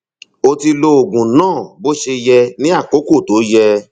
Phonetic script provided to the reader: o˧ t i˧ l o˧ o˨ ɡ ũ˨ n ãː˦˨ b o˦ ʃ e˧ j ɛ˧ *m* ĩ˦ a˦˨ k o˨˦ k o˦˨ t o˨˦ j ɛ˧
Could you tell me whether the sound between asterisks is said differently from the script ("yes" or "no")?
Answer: yes